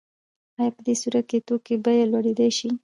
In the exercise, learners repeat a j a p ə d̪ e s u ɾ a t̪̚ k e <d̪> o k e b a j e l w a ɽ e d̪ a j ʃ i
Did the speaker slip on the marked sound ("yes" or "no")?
yes